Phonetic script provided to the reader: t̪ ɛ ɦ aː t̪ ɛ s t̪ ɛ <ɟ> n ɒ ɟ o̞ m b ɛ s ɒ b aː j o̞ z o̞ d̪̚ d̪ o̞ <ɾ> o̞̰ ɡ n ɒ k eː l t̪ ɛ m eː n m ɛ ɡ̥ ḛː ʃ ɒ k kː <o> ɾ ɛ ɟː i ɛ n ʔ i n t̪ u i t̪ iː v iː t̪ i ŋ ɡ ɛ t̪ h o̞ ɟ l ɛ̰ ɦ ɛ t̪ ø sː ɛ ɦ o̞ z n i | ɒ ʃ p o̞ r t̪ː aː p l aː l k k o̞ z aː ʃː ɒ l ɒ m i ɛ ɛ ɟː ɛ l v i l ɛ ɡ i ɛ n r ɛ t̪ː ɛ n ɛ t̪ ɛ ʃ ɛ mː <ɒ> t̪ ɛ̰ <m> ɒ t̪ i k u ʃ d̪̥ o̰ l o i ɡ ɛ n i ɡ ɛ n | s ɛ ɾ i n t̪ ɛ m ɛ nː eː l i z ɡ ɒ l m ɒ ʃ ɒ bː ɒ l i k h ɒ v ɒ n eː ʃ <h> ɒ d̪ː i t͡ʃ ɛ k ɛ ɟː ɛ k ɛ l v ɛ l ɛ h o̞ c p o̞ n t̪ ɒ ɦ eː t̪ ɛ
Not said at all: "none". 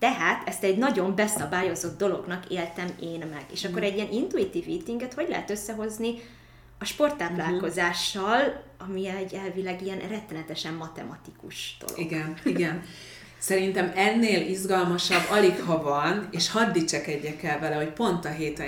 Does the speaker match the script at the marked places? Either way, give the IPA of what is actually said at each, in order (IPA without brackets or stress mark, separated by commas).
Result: ɟ, l, o, ɒ, m, h